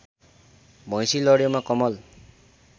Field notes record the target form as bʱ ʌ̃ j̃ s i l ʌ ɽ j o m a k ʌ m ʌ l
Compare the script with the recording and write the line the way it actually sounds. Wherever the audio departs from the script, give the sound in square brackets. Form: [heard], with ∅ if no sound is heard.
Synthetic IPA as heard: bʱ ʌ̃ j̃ s i l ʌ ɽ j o m a k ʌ m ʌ l